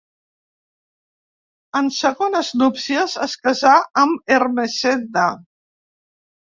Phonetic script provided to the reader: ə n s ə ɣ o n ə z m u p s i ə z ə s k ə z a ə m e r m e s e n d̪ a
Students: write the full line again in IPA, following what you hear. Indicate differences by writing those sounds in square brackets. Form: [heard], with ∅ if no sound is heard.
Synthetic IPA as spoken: ə n s ə ɣ o n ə z [n] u p s i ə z ə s k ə z a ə m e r m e s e n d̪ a

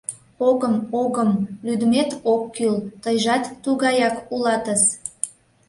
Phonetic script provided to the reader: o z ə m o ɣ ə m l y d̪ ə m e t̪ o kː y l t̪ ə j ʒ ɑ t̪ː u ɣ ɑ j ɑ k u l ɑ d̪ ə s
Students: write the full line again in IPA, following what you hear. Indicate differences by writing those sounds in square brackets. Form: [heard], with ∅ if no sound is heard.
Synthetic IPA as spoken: o [ɣ] ə m o ɣ ə m l y d̪ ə m e t̪ o kː y l t̪ ə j ʒ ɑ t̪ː u ɣ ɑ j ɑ k u l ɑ [t̪] ə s

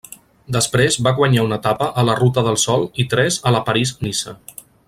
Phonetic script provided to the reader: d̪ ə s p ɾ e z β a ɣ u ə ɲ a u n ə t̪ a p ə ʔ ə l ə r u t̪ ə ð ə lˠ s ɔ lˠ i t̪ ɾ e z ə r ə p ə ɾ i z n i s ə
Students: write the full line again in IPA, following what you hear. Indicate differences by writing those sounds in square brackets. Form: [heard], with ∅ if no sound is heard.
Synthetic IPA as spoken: d̪ ə s p ɾ e z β a ɣ [w] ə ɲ a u n ə t̪ a p ə ʔ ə l ə r u t̪ ə ð ə lˠ s ɔ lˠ i t̪ ɾ [ɛ] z ə [l] ə p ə ɾ i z n i s ə

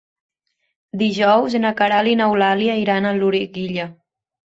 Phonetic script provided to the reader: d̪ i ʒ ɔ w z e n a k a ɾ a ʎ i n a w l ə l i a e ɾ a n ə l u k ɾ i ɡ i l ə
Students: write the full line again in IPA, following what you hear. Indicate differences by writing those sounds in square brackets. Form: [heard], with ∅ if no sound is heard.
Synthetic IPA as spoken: d̪ i ʒ ɔ w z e n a k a ɾ a [l] i n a w l [a] l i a [i] ɾ a n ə l u [∅] ɾ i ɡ i [ʎ] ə

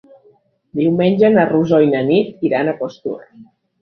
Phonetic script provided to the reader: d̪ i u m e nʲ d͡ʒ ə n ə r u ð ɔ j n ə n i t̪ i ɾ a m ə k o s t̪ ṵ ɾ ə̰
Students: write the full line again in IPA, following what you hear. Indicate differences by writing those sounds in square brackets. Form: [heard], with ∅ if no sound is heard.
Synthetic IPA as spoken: d̪ i [w] m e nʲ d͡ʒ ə n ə r u [z] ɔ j n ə n i t̪ i ɾ a [n] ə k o s t̪ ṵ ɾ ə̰

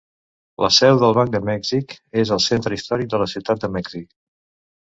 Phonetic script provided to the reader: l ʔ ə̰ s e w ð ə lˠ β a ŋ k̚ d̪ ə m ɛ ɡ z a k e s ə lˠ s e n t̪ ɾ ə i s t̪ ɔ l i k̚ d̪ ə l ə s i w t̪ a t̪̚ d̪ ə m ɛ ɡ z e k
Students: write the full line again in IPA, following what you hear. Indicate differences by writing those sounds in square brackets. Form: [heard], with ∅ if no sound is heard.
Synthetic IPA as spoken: l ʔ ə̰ s [ɛ] w ð ə lˠ β a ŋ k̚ d̪ ə m ɛ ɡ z [i] k e [z] ə lˠ s e n t̪ ɾ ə i s t̪ ɔ [ɾ] i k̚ d̪ ə l ə s i w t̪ a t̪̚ d̪ ə m ɛ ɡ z [i] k

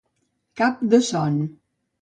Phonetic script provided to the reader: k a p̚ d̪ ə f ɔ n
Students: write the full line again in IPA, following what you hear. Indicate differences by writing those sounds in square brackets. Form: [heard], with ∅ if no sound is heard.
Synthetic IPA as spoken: k a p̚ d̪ ə [s] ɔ n

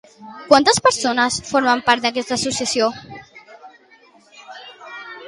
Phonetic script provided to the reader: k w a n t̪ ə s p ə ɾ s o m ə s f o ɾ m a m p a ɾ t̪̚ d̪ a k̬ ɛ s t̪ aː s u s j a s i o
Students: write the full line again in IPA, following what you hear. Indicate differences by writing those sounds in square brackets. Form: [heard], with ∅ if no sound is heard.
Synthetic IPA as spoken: k w a n t̪ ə s p ə ɾ s o [n] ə s f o ɾ m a m p a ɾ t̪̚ d̪ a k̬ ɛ s t̪ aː s u s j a s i o

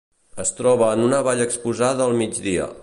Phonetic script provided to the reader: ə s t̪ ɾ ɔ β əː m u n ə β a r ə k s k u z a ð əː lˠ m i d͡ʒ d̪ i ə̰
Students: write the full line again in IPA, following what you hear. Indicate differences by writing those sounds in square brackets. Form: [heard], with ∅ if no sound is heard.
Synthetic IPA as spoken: ə s t̪ ɾ ɔ β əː [n] u n ə β a [ʎ] ə k s [p] u z a ð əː lˠ m i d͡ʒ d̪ i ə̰

